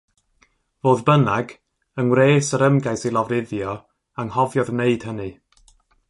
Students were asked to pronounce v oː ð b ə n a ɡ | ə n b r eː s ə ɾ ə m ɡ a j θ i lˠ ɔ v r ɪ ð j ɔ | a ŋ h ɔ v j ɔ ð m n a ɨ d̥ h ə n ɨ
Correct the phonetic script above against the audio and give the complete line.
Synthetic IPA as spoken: v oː ð b ə n a ɡ | ə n w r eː s ə ɾ ə m ɡ a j s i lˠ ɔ v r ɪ ð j ɔ | a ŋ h ɔ v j ɔ ð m n e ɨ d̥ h ə n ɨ